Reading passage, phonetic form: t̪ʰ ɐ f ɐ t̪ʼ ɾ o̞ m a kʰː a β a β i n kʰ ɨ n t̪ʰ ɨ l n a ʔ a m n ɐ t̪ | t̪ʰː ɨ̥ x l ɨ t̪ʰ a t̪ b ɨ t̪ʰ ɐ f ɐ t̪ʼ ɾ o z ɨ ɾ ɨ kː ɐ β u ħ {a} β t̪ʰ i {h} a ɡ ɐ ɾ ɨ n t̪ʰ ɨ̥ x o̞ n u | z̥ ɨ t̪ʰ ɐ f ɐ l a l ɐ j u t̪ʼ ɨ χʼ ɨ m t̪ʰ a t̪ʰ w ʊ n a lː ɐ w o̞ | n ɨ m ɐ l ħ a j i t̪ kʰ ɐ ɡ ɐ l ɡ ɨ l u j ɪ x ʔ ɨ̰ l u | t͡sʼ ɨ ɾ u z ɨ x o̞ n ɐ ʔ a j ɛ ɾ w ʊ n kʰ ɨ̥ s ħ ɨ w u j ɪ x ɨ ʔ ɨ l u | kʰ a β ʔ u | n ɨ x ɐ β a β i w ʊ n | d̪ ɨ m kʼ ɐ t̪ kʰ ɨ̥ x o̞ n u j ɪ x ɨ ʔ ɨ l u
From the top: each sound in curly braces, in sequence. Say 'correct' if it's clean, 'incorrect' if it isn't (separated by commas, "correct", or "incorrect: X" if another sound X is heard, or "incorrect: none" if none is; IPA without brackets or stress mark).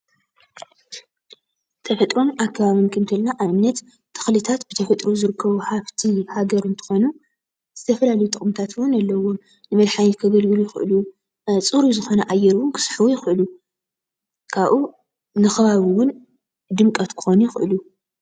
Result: correct, correct